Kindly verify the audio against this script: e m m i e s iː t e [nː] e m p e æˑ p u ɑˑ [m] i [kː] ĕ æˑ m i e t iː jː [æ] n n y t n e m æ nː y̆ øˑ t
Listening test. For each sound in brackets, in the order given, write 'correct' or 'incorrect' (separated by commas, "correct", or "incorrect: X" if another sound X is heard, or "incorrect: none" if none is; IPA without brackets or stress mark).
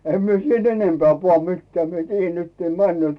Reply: incorrect: n, correct, incorrect: tː, correct